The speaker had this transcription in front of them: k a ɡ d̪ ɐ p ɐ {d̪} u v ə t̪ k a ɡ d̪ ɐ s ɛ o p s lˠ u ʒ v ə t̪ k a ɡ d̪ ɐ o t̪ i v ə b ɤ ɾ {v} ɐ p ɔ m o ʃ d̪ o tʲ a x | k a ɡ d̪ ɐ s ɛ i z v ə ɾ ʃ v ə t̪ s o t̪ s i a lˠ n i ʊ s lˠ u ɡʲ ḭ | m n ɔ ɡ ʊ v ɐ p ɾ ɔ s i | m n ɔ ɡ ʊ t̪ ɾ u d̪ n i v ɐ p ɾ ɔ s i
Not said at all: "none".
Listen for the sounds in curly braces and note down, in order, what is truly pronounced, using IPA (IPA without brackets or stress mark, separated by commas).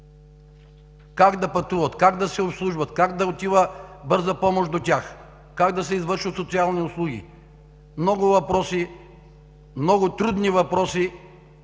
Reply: t̪, z